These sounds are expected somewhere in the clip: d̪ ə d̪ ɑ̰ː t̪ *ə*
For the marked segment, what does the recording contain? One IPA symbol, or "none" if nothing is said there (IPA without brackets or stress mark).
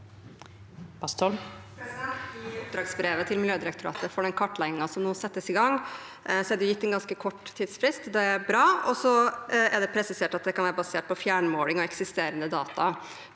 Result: ɑ